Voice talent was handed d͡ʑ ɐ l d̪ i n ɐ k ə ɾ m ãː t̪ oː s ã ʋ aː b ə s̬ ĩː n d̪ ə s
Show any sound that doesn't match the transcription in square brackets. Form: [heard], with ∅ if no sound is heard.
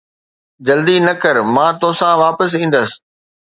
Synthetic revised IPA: d͡ʑ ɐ l d̪ i n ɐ k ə ɾ m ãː t̪ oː s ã ʋ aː [p] ə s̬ ĩː n d̪ ə s